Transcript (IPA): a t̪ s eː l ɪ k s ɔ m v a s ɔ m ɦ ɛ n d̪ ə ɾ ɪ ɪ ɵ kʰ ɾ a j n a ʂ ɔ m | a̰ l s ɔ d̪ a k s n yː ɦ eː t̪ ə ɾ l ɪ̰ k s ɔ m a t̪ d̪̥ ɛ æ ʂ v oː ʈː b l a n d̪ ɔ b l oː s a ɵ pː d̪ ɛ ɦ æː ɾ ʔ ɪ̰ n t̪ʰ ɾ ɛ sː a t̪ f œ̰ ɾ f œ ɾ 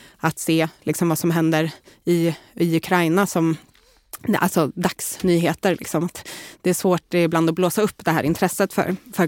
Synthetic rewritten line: a t̪ s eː l ɪ k s ɔ m v a s ɔ m ɦ ɛ n d̪ ə ɾ ɪ ɪ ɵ kʰ ɾ a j n a s ɔ m | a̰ l s ɔ d̪ a k s n yː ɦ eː t̪ ə ɾ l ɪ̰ k s ɔ m a t̪ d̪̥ ɛ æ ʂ v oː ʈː b l a n d̪ ɔ b l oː s a ɵ pː d̪ ɛ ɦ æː ɾ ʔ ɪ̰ n t̪ʰ ɾ ɛ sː ə t̪ f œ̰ ɾ f œ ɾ